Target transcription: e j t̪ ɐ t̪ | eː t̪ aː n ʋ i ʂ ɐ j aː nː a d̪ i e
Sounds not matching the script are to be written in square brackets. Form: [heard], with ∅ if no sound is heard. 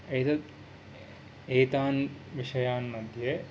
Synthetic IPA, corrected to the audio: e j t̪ ɐ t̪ | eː t̪ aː n ʋ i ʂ ɐ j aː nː [ɐ] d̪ [j] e